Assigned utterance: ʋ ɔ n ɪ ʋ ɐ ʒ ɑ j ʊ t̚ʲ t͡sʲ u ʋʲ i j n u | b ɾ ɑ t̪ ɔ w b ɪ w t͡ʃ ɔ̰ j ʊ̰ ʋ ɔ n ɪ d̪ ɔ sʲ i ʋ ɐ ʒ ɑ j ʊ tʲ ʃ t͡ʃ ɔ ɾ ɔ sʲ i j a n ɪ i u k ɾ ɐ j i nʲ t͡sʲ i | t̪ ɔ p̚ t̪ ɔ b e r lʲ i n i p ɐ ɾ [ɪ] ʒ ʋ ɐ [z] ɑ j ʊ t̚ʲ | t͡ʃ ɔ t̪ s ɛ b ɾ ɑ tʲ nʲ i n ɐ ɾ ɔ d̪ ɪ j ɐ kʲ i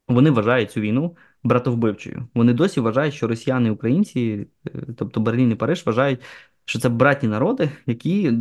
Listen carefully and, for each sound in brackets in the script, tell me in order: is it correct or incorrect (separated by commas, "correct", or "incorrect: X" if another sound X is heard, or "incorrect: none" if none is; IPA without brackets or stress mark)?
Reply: correct, incorrect: ʒ